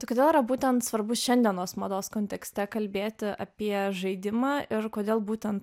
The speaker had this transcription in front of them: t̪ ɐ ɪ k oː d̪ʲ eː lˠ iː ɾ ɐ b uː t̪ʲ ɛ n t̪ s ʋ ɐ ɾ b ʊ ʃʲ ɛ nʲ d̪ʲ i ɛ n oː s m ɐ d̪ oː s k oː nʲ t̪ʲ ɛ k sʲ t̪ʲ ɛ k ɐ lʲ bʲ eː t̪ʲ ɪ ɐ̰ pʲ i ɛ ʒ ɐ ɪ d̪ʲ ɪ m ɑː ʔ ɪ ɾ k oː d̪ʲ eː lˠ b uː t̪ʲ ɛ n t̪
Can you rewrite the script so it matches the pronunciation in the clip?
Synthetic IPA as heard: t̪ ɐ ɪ k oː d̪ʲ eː lˠ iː ɾ ɐ b uː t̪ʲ ɛ n t̪ s ʋ ɐ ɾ b ʊ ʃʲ ɛ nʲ d̪ʲ i ɛ n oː s m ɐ d̪ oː s k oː nʲ t̪ʲ ɛ k sʲ t̪ʲ ɛ k ɐ lʲ bʲ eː t̪ʲ ɪ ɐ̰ pʲ i ɛ ʒ ɐ ɪ d̪ʲ ɪ m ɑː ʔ ɪ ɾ k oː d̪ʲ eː lˠ b uː t̪ʲ ɛ n t̪